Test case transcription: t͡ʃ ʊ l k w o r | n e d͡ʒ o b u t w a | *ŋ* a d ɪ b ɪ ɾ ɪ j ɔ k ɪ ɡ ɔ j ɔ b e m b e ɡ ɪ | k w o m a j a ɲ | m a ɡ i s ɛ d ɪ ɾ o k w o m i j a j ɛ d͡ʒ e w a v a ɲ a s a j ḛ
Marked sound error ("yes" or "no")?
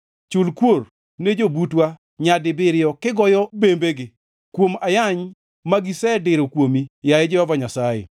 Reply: yes